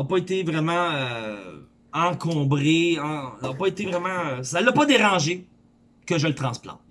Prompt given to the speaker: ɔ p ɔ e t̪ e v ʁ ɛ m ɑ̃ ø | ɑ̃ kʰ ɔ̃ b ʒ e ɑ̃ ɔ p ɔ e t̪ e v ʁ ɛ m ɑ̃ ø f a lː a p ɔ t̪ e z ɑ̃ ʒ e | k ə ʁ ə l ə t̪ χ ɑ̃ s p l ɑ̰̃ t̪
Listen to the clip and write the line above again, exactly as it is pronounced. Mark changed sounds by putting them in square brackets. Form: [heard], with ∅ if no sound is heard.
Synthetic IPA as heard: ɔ p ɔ e t̪ e v ʁ ɛ m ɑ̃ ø | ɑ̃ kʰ ɔ̃ b [ʁ] e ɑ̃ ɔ p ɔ e t̪ e v ʁ ɛ m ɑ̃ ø [s] a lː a p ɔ [d̪] e [ʁ] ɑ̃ ʒ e | k ə [ʒ] ə l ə t̪ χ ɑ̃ s p l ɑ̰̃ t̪